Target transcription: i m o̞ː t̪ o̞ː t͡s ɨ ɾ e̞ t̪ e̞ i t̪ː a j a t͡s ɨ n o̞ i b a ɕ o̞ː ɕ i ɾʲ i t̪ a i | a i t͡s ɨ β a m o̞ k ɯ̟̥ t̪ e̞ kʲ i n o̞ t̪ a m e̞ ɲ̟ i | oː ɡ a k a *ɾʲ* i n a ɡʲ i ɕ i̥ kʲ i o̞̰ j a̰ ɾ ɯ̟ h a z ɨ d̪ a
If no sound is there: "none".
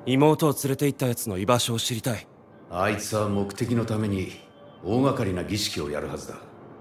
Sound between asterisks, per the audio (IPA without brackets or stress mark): ɾʲ